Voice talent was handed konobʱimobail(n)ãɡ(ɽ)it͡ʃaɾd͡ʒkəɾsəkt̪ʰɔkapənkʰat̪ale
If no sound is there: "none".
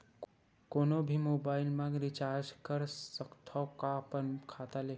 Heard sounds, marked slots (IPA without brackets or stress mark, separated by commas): m, ɾ